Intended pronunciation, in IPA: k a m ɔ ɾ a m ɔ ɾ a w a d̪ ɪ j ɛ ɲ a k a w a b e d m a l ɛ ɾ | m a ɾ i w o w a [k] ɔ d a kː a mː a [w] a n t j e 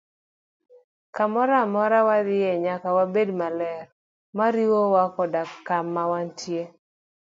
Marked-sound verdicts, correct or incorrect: correct, correct

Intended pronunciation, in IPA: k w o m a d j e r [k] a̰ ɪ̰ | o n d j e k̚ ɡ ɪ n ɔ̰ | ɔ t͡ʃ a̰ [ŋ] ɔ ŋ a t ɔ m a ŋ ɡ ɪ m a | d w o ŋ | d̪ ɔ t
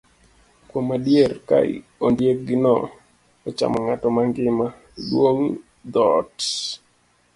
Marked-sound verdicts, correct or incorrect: correct, incorrect

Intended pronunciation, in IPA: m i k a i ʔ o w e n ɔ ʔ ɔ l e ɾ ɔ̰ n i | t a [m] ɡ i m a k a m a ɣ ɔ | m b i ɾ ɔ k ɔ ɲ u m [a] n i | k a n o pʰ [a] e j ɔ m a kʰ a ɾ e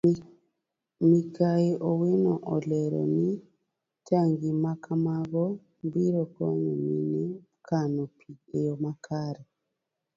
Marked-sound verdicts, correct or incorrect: incorrect, incorrect, incorrect

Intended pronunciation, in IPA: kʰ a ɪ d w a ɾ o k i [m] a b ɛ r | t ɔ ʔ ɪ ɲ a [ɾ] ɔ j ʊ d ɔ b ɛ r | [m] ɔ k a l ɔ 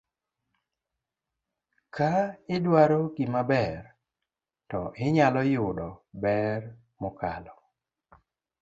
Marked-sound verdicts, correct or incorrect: correct, incorrect, correct

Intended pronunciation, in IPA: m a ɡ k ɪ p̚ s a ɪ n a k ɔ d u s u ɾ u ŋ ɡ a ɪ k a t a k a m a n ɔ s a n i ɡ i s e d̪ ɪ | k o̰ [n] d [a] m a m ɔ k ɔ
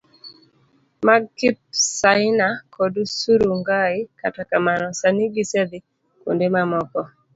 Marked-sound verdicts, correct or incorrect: correct, incorrect

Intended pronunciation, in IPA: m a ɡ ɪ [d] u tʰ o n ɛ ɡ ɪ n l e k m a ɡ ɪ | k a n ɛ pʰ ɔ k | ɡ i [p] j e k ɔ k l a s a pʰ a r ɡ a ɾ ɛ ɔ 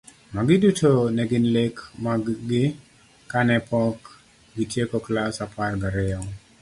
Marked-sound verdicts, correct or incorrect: correct, incorrect

